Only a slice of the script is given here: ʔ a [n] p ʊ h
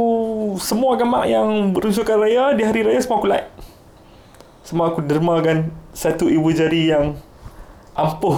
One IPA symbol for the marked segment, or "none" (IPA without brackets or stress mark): m